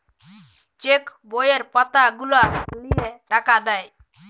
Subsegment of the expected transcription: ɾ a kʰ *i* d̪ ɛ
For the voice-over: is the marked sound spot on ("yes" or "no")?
no